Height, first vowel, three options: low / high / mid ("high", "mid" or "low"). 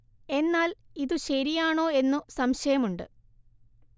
mid